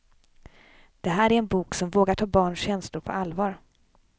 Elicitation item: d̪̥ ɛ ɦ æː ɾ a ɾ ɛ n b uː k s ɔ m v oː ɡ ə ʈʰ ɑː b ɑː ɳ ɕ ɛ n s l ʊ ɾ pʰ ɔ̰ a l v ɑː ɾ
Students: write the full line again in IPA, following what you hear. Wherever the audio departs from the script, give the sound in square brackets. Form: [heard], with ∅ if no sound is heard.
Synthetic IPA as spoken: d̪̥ ɛ ɦ æː ɾ [æ] ɾ ɛ n b uː k s ɔ m v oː ɡ [a] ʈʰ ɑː b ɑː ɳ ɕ ɛ n s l ʊ ɾ pʰ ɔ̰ a l v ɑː ɾ